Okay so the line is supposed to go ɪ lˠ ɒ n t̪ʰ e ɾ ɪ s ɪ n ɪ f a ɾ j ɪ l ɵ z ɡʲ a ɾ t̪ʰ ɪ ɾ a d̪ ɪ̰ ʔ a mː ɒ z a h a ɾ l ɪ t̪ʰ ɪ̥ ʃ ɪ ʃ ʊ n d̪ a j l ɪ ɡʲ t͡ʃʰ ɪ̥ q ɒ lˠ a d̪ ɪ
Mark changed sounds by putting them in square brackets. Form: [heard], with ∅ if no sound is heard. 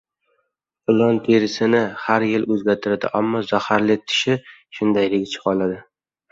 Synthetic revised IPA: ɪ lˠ ɒ n t̪ʰ e ɾ ɪ s ɪ n ɪ [h] a ɾ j ɪ l ɵ z ɡʲ a ɾ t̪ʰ ɪ ɾ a d̪ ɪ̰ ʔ a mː ɒ z a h a ɾ l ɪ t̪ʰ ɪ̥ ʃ ɪ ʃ ʊ n d̪ a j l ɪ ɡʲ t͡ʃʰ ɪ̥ q ɒ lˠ a d̪ ɪ